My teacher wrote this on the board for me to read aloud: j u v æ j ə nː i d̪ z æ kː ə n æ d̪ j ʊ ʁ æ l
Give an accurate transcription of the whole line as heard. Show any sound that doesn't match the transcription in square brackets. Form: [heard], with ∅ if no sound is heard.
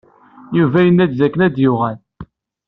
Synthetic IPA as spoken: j u v æ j ə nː [æ] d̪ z æ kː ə n æ d̪ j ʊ ʁ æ l